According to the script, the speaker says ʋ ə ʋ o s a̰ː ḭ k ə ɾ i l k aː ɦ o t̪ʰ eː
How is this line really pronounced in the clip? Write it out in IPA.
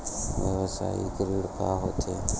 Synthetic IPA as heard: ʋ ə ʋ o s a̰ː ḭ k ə ɾ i ɽ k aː ɦ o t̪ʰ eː